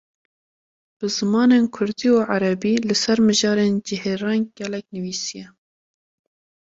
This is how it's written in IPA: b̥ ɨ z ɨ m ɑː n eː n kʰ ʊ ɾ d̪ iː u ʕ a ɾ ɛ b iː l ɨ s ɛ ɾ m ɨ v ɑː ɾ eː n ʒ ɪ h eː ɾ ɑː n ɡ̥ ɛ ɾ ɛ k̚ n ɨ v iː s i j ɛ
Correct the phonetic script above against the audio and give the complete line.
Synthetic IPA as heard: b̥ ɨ z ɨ m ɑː n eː n kʰ ʊ ɾ d̪ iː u ʕ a ɾ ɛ b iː l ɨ s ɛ ɾ m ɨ ʒ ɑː ɾ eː n d͡ʒ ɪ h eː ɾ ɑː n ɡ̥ ɛ l ɛ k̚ n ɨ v iː s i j ɛ